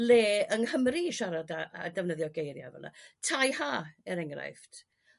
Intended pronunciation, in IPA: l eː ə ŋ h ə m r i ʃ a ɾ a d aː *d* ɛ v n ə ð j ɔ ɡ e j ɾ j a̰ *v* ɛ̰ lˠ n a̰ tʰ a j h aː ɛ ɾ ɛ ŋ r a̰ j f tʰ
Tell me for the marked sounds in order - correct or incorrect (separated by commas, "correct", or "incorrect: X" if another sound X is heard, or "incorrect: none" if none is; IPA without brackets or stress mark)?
correct, correct